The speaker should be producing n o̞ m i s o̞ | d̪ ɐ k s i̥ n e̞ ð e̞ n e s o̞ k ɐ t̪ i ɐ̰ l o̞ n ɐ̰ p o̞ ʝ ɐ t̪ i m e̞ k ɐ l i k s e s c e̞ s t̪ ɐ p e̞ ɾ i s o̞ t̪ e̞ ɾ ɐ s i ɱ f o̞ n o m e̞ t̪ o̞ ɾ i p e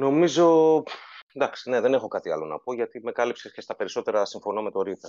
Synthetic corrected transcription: n o̞ m i z o̞ | d̪ ɐ k s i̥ n e̞ ð e̞ n e x o̞ k ɐ t̪ i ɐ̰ l o̞ n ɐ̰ p o̞ ʝ ɐ t̪ i m e̞ k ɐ l i p s e s c e̞ s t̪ ɐ p e̞ ɾ i s o̞ t̪ e̞ ɾ ɐ s i ɱ f o̞ n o m e̞ t̪ o̞ ɾ i p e